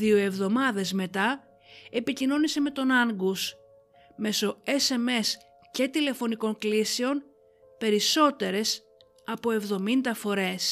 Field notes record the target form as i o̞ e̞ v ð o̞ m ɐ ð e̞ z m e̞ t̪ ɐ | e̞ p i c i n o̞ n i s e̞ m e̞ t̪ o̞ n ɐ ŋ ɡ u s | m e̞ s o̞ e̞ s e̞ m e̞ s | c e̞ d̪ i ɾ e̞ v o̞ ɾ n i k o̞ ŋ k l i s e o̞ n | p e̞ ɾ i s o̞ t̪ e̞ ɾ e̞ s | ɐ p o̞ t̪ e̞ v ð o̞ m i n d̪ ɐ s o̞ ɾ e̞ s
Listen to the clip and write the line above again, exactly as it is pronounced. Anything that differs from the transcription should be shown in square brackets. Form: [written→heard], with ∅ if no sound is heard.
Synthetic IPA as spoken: i o̞ e̞ v ð o̞ m ɐ ð e̞ z m e̞ t̪ ɐ | e̞ p i c i n o̞ n i s e̞ m e̞ t̪ o̞ n ɐ ŋ ɡ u s | m e̞ s o̞ e̞ s e̞ m e̞ s | c e̞ [d̪→t̪] i [ɾ→l] e̞ [v→f] o̞ [ɾ→∅] n i k o̞ ŋ k l i s e o̞ n | p e̞ ɾ i s o̞ t̪ e̞ ɾ e̞ s | ɐ p o̞ [t̪→∅] e̞ v ð o̞ m i n d̪ ɐ [s→f] o̞ ɾ e̞ s